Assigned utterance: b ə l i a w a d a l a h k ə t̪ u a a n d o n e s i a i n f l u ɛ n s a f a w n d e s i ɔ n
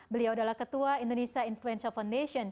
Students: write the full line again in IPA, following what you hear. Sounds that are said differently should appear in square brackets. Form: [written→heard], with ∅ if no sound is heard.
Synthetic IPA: b ə l i a w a d a l a h k ə t̪ u a [a→i] n d o n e s i a i n f l u ɛ n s a f a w n d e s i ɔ n